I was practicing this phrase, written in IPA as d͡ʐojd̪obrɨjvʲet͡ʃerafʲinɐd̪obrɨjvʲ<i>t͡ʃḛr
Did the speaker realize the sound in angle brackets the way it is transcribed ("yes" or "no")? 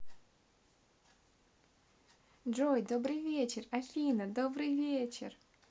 no